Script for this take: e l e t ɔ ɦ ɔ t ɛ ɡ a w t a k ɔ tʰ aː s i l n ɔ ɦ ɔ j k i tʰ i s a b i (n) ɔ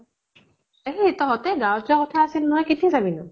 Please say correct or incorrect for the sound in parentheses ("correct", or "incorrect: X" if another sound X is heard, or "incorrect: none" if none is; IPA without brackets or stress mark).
correct